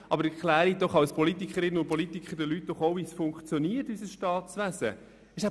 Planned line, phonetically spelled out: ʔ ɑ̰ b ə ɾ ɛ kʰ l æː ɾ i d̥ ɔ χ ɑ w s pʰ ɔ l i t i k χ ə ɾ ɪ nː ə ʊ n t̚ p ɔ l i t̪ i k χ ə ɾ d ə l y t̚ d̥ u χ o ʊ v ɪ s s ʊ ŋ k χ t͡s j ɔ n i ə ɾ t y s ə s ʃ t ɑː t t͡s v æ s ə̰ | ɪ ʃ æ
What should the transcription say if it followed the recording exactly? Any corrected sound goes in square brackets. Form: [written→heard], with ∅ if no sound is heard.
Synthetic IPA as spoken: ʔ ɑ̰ b ə ɾ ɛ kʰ l æː ɾ i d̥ ɔ χ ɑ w s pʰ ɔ l i t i k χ ə ɾ ɪ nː ə ʊ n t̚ p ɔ l i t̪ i k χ ə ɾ d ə l y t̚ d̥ [u→ɔ] χ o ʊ v [ɪ→i] s [s→f] ʊ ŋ k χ t͡s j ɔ n i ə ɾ t y s ə s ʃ t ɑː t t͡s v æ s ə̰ | ɪ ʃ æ